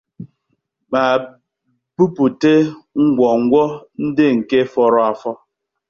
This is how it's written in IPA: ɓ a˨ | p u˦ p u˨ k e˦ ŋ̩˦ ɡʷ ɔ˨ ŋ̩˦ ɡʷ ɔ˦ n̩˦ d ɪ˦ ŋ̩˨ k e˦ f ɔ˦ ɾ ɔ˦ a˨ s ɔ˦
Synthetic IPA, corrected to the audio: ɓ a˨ | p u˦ p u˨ t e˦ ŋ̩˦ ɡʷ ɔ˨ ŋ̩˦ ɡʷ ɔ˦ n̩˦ d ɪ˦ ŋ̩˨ k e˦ f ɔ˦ ɾ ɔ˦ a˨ f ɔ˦